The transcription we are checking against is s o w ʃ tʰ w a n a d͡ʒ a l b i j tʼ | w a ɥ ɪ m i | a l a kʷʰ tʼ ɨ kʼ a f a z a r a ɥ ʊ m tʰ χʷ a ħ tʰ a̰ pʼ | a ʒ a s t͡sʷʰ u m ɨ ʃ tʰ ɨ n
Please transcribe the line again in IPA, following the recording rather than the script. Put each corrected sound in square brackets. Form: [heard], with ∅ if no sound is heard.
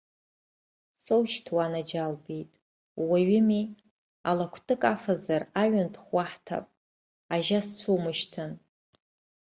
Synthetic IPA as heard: s o w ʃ tʰ w a n a d͡ʒ a l b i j tʼ | w a ɥ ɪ m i | a l a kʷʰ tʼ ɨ kʼ a f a z a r a ɥ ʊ [n] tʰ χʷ a ħ tʰ a̰ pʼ | a ʒ a s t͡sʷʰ u m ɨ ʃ tʰ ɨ n